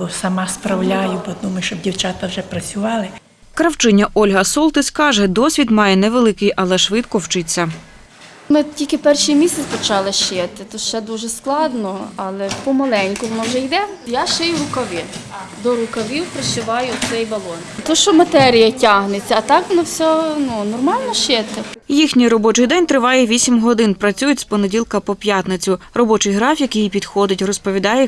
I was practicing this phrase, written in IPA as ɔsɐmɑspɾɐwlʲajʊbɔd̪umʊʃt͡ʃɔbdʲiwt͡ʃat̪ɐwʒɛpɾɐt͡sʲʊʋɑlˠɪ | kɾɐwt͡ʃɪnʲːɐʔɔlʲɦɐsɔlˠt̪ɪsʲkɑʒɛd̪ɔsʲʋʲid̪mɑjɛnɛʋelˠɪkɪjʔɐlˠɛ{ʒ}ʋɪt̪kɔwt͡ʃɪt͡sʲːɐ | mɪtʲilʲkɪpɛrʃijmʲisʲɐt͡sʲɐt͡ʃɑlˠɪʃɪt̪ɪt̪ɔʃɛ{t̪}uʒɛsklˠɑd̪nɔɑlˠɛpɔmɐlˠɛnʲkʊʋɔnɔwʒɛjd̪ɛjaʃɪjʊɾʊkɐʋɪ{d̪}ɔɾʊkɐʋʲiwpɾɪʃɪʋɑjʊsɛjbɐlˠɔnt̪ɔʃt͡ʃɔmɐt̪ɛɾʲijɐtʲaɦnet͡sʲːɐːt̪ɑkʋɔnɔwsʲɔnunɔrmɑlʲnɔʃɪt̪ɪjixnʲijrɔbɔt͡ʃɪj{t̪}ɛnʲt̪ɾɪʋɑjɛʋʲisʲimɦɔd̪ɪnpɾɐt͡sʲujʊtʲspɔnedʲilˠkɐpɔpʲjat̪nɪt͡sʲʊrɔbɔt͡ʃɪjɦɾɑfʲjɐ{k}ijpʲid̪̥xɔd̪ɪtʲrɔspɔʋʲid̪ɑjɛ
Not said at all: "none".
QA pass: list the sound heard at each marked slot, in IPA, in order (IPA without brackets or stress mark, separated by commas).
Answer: ʃ, d̪, d̪, d̪, k